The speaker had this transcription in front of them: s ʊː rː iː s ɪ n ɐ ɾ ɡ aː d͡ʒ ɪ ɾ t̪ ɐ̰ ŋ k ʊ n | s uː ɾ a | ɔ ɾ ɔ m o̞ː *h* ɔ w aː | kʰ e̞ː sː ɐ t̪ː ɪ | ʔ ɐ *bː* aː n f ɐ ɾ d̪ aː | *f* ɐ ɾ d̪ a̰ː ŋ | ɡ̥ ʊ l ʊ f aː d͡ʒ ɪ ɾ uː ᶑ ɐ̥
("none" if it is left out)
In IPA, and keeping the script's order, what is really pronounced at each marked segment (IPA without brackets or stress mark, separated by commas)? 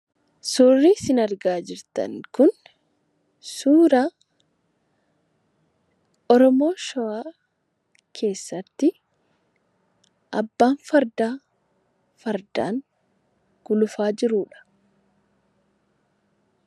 ʃ, bː, f